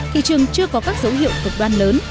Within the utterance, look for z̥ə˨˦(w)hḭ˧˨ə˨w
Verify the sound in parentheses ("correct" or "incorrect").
correct